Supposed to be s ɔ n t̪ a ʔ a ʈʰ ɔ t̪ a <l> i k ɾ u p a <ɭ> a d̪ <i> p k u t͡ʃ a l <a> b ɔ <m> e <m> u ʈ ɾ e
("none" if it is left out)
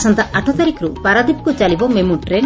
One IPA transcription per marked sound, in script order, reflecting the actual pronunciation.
ɾ, ɾ, i, i, m, m

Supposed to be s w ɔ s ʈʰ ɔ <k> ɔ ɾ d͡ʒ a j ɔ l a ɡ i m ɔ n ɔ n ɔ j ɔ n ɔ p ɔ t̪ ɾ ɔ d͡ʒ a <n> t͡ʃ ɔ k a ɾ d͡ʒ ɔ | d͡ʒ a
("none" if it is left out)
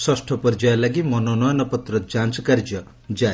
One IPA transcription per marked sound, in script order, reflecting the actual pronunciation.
p, n

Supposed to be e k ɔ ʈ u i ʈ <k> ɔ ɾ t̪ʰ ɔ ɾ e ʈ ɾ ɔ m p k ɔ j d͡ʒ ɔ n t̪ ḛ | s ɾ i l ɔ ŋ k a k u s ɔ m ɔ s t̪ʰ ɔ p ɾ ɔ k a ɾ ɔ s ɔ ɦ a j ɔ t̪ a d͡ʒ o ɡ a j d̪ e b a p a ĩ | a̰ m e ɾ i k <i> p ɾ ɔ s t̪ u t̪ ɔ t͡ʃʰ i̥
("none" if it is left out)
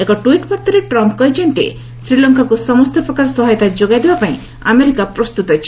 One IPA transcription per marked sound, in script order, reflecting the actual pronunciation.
p, a

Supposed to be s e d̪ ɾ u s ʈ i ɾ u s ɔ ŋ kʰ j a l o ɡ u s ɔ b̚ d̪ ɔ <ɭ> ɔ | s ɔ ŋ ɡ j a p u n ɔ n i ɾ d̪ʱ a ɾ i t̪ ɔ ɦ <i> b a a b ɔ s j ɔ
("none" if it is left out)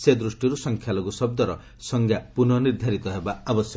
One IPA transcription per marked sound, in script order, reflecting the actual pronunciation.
ɾ, e

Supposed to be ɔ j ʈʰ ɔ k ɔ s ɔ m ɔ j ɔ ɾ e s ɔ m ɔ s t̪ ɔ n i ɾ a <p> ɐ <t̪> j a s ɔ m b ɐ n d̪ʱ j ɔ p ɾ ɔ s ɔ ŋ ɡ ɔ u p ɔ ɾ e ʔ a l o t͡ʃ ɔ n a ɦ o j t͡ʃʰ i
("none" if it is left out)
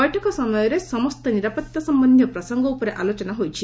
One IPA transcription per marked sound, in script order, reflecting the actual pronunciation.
p, t̪

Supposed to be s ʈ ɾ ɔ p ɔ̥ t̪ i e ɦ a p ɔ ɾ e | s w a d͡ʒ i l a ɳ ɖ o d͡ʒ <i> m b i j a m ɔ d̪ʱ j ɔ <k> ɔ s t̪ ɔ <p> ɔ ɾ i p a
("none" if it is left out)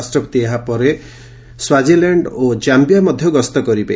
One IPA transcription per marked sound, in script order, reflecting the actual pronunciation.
a, ɡ, k

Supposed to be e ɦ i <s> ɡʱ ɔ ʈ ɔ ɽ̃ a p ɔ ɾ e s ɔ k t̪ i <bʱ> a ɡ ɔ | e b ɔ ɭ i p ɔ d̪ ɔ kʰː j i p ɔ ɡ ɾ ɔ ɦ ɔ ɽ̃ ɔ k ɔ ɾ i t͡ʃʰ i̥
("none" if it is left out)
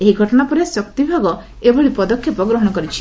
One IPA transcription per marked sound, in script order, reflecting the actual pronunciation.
none, bʱ

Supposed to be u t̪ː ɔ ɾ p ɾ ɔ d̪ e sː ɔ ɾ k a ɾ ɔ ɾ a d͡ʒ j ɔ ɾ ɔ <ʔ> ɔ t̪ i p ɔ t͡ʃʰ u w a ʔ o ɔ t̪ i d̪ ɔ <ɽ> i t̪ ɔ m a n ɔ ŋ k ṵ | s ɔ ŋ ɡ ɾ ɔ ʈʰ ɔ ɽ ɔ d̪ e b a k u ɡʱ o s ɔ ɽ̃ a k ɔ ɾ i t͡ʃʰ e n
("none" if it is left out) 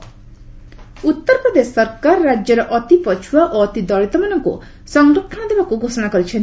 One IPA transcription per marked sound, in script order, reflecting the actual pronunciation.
ʔ, ɭ

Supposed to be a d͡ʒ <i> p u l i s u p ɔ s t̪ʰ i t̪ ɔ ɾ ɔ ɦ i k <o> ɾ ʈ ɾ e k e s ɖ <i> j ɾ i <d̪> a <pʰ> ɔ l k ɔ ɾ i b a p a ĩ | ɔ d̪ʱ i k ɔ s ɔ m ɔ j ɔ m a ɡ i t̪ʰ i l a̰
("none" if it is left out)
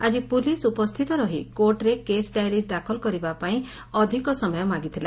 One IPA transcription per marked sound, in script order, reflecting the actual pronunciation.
i, o, a, d̪, kʰ

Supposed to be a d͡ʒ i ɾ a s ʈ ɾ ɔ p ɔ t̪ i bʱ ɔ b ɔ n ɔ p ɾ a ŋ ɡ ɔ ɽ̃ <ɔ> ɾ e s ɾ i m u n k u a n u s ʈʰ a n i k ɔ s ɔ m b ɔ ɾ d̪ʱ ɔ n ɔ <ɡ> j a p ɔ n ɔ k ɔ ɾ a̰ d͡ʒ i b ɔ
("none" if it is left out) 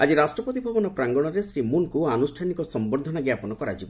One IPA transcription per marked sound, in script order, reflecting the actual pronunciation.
ɔ, ɡ

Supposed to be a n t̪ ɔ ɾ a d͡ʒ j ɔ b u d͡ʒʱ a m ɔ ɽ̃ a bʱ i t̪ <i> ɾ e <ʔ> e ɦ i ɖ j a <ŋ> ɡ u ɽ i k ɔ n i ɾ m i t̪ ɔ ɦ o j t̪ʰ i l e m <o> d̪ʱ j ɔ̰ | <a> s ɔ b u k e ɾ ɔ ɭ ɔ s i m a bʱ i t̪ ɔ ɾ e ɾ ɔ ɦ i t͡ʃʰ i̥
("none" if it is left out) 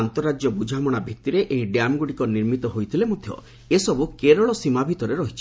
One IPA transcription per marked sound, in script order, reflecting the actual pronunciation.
i, ʔ, m, o, e

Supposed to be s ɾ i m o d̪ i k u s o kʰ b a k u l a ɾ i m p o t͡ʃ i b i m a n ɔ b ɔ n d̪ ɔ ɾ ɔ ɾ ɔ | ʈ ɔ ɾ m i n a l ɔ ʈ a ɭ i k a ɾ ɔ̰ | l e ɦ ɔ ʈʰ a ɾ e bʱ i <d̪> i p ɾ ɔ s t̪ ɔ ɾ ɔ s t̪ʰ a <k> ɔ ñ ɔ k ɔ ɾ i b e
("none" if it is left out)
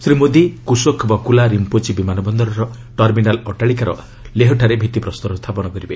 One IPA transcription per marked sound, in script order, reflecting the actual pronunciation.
t̪, p

